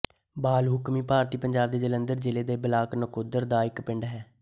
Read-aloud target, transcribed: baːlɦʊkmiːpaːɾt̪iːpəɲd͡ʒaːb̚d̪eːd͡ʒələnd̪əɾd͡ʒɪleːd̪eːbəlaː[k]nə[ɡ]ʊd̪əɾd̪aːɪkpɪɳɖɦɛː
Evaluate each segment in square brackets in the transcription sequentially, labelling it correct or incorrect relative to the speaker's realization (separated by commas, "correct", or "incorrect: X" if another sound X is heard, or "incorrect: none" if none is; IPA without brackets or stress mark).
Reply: correct, incorrect: k